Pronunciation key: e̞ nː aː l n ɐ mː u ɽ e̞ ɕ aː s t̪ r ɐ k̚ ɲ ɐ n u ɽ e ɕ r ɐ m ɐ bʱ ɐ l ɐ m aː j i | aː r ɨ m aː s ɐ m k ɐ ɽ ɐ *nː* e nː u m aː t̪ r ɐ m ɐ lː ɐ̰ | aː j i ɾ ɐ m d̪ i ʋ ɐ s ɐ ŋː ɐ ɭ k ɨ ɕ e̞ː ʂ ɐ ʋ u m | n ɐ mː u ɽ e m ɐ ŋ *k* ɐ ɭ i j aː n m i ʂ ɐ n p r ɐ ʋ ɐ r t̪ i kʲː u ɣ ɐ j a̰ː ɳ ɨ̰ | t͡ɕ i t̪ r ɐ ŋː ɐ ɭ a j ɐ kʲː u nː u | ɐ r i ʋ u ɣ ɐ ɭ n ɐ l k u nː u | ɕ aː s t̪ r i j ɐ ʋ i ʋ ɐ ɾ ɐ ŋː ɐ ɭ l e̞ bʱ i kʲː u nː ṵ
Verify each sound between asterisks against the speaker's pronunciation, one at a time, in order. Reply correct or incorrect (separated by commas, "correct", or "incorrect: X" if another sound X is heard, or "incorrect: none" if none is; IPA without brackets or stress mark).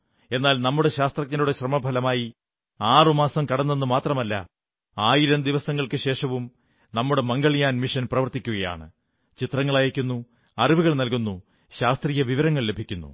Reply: correct, incorrect: ɡ